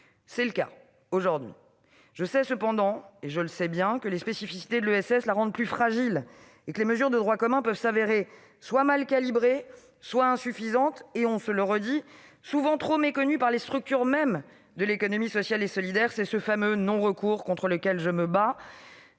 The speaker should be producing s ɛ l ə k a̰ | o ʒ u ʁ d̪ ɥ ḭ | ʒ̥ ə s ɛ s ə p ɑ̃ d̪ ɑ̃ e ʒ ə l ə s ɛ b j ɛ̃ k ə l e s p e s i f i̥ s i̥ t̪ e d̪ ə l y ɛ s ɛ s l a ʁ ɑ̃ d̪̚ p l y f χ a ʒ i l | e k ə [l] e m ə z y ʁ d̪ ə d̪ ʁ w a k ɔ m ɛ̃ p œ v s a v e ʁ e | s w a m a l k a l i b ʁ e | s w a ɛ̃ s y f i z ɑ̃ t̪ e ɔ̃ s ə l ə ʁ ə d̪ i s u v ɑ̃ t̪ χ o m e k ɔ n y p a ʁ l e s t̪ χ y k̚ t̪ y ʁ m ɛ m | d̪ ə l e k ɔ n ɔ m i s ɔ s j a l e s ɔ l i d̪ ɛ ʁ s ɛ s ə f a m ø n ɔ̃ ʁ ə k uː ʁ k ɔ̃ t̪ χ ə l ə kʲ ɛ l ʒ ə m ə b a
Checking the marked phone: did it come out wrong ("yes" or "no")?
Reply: no